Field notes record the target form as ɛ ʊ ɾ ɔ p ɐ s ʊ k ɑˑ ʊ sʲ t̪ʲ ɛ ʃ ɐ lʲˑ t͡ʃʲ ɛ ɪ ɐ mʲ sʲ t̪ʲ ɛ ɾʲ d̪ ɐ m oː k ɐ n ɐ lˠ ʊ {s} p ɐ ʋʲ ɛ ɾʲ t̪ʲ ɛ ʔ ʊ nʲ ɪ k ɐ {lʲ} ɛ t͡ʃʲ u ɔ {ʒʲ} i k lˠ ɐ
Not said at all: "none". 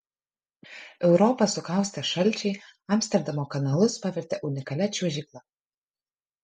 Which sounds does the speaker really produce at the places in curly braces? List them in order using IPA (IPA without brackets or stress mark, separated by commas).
s, lʲ, ʒʲ